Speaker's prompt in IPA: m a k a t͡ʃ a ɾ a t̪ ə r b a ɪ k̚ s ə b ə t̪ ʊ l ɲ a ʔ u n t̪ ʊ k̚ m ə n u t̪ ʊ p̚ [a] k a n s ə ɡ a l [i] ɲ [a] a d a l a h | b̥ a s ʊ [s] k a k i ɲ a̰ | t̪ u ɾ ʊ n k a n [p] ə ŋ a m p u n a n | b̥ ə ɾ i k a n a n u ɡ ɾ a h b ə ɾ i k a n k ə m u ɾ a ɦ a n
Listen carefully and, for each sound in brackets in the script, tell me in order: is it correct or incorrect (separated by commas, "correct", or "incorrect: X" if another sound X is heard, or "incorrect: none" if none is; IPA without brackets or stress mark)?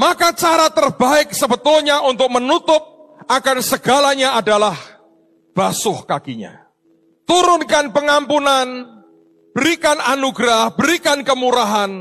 correct, incorrect: a, correct, incorrect: h, correct